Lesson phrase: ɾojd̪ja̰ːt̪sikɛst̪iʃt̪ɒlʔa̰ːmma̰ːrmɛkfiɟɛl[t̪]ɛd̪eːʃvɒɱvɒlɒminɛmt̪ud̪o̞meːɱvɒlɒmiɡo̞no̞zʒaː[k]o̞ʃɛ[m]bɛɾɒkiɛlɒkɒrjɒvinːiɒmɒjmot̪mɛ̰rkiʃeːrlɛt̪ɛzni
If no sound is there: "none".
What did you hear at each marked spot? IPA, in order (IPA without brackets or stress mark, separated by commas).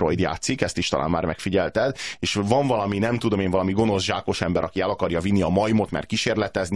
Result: t̪, k, m